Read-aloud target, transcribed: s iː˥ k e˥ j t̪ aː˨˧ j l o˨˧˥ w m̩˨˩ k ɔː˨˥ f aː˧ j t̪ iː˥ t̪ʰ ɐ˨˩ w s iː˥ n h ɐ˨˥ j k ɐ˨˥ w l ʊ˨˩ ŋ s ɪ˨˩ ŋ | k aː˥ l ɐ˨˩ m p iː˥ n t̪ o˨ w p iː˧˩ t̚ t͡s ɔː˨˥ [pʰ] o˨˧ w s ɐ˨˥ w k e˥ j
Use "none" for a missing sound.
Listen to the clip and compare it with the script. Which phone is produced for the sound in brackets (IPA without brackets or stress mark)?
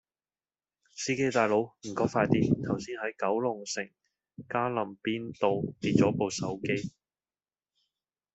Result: p